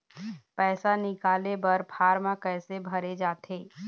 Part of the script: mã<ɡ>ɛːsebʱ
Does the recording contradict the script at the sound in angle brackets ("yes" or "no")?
yes